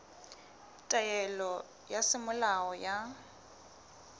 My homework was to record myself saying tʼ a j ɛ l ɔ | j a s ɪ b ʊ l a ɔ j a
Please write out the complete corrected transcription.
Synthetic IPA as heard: tʼ a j ɛ l ɔ | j a s ɪ m ʊ l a ɔ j a